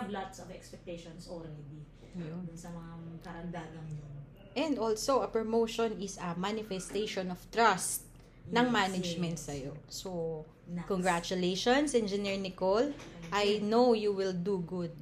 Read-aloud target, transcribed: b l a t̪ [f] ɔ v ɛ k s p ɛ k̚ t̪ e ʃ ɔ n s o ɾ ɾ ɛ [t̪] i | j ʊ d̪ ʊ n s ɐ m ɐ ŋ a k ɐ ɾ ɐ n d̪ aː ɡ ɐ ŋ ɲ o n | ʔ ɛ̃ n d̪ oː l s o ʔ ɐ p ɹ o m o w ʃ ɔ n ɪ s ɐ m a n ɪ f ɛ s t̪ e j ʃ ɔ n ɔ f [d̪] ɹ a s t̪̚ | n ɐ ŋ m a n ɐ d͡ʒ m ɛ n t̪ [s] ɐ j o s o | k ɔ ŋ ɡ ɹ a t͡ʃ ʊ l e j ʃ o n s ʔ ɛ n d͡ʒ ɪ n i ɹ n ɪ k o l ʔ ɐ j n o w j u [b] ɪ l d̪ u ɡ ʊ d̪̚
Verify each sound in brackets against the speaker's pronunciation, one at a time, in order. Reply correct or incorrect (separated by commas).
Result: incorrect, incorrect, incorrect, correct, incorrect